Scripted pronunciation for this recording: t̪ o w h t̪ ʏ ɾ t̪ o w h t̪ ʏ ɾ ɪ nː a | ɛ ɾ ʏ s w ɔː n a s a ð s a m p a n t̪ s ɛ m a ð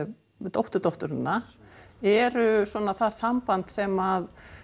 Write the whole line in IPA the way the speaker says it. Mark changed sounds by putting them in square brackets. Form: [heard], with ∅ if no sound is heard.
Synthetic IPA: t̪ o w h t̪ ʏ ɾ t̪ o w h t̪ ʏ ɾ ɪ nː a | ɛ ɾ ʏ s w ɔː n a [θ] a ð s a m p a n t̪ s ɛ m a ð